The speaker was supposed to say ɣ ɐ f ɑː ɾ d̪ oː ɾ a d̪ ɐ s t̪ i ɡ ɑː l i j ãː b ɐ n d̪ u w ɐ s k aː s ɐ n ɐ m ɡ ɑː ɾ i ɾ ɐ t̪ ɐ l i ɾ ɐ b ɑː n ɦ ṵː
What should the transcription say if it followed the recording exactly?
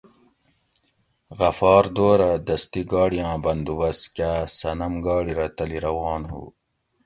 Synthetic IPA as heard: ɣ ɐ f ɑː ɾ d̪ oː ɾ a d̪ ɐ s t̪ i ɡ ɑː ɽ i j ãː b ɐ n d̪ u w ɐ s k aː s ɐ n ɐ m ɡ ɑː ɽ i ɾ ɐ t̪ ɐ l i ɾ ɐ w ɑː n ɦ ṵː